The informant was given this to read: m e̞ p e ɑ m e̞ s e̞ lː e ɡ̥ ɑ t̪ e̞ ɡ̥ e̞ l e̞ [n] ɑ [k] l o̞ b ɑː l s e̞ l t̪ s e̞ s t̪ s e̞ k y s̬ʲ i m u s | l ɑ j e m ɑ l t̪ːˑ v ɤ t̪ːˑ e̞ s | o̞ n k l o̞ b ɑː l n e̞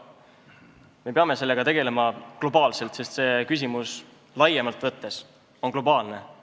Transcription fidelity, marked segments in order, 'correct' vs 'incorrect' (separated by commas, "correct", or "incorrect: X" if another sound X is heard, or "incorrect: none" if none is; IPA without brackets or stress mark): incorrect: m, correct